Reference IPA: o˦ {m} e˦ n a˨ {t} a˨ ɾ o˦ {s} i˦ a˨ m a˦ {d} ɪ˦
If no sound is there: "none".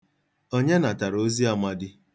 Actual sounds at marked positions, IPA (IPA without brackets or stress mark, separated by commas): ɲ, t, z, d